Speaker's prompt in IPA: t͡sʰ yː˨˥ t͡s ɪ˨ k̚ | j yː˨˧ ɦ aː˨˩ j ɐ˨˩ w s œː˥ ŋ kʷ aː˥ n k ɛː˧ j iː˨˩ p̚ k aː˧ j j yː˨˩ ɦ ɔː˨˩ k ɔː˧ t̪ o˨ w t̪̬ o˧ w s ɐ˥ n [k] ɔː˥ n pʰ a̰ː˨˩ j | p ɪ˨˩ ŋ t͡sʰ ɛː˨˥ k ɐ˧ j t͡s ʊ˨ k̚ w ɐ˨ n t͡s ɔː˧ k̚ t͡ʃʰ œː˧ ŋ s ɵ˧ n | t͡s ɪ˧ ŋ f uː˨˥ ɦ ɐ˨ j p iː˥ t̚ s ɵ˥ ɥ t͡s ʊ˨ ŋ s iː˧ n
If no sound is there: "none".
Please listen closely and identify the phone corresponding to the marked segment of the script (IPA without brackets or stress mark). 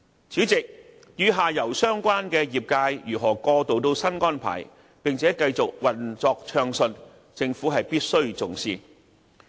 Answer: k